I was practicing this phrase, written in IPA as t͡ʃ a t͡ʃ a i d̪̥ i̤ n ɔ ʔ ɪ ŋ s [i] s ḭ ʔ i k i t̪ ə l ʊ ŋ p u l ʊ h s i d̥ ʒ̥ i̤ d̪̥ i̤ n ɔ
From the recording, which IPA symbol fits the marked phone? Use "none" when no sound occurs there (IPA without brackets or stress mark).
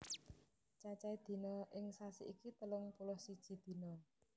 a